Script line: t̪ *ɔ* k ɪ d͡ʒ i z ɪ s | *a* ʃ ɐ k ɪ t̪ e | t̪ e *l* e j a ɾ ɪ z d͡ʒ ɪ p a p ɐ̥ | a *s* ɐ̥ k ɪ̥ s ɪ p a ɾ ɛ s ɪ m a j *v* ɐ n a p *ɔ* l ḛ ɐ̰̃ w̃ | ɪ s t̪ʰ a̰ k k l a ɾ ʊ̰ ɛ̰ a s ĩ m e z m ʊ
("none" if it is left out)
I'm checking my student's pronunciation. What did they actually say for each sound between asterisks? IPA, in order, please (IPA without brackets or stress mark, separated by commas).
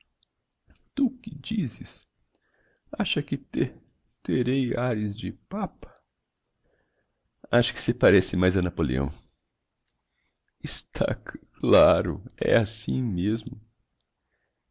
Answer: u, a, ɾ, ʃ, z, o